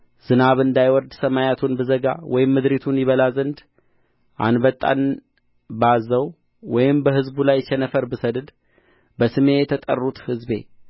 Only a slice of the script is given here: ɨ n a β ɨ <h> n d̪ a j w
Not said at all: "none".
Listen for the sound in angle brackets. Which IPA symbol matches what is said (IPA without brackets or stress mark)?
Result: none